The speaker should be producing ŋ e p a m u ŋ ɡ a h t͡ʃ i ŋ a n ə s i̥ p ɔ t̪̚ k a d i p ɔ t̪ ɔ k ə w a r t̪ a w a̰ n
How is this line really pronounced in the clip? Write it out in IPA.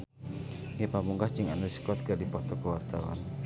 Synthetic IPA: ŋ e p a m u ŋ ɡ a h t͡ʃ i ŋ a n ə s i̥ k ɔ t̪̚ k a d i p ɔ t̪ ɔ k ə w a r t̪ a w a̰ n